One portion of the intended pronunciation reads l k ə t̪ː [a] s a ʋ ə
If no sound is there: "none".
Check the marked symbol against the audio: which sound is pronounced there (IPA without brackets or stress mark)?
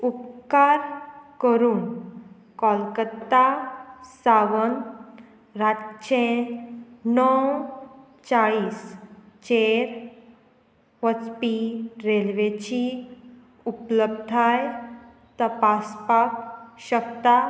a